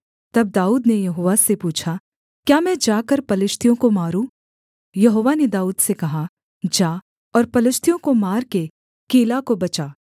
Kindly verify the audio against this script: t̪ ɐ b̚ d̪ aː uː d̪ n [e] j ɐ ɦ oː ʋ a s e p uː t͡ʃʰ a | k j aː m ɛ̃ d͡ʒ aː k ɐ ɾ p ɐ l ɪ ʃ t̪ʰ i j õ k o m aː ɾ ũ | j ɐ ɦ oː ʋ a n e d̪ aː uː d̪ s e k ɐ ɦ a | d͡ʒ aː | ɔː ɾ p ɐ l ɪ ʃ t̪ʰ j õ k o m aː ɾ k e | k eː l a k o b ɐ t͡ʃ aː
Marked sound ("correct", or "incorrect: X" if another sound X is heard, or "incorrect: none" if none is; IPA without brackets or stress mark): correct